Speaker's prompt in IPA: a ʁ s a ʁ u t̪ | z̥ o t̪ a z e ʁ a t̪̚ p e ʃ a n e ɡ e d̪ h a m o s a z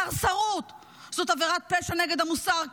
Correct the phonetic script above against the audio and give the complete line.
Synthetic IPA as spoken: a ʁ s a ʁ u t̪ | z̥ o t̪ a v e ʁ a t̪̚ p e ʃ a n e ɡ e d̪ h a m u s a ʁ